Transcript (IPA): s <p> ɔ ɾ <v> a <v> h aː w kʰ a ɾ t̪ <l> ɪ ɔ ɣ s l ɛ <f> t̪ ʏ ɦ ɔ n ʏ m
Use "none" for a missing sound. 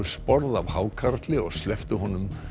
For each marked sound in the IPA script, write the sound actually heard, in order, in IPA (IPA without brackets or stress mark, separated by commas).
p, ð, v, l, f